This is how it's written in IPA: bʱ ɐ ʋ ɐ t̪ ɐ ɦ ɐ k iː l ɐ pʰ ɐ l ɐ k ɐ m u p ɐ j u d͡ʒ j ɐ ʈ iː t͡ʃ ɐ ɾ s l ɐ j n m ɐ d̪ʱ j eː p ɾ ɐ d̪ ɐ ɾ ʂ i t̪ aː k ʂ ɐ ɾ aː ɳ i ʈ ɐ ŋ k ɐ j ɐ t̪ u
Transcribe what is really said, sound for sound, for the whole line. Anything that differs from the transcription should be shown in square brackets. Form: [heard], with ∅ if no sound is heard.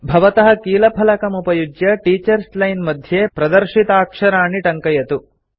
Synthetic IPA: bʱ ɐ ʋ ɐ t̪ ɐ ɦ ɐ k iː l ɐ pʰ ɐ l ɐ k ɐ m u p ɐ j u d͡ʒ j ɐ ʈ iː t͡ʃ ɐ ɾ s l ɐ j n m ɐ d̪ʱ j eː p ɾ ɐ d̪ ɐ ɾ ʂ i t̪ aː k ʂ ɐ ɾ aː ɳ i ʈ ɐ ŋ k ɐ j ɐ t̪ u